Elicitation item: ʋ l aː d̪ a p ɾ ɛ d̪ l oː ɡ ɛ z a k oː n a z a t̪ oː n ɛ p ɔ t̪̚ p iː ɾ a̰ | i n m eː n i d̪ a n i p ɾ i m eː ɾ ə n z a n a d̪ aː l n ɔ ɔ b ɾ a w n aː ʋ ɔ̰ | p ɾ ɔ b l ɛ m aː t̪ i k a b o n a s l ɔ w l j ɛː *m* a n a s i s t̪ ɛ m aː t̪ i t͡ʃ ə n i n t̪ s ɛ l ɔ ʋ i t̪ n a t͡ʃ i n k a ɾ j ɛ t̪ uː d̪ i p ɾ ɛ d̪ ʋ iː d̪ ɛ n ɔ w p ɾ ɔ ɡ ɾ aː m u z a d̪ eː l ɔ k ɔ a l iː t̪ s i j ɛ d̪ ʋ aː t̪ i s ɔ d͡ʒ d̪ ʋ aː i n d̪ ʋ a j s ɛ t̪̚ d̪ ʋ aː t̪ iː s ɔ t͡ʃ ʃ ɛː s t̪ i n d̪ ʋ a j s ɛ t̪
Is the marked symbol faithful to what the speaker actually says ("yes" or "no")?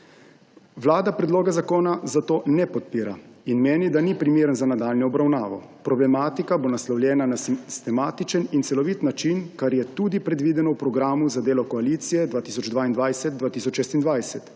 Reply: no